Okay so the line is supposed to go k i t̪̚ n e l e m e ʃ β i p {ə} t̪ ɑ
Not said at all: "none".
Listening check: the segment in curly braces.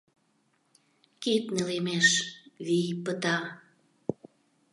ə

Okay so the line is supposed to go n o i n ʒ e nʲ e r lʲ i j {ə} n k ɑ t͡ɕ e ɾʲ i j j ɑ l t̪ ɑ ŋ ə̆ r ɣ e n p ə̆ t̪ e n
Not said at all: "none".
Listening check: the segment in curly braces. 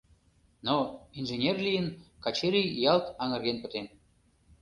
ə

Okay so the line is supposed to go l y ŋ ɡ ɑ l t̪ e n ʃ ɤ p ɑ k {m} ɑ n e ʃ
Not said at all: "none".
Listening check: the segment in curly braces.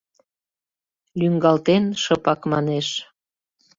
m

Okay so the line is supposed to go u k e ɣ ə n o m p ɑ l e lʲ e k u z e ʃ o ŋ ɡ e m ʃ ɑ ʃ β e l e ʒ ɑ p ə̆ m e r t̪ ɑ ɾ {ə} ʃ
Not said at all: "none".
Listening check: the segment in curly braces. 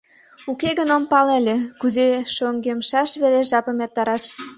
ɑ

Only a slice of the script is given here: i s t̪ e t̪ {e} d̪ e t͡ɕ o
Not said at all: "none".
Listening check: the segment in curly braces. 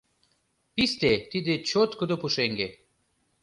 i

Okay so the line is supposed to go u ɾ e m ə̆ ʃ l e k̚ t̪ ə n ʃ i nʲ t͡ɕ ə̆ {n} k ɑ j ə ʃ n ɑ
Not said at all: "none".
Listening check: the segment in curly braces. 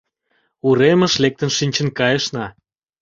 n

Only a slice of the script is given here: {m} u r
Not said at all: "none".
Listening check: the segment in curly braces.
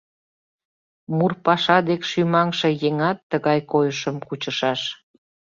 m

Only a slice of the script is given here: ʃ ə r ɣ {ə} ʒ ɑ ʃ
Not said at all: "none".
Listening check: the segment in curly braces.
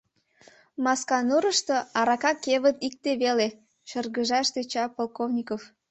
ə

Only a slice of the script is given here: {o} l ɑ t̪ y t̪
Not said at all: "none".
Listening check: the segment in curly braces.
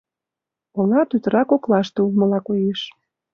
o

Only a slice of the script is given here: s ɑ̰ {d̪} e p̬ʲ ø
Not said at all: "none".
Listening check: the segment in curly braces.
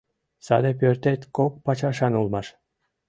d̪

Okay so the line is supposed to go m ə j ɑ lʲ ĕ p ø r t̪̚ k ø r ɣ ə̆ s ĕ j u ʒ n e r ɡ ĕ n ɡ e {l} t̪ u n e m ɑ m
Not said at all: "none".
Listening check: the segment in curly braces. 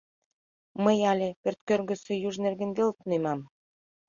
l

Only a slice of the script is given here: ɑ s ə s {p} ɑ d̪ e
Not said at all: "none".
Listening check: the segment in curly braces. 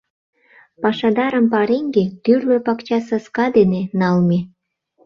k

